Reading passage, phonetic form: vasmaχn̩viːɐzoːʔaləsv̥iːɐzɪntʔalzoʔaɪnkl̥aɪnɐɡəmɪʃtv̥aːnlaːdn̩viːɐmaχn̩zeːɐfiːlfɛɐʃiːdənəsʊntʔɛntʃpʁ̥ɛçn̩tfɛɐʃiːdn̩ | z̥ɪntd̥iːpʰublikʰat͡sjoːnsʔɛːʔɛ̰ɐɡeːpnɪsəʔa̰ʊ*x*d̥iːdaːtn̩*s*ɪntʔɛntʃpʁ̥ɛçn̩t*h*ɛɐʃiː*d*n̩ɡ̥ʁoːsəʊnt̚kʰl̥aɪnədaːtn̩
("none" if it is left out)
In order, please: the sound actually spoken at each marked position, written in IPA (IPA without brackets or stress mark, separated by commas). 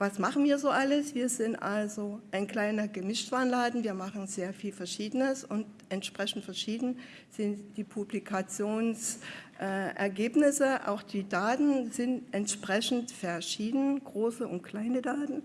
x, z, f, d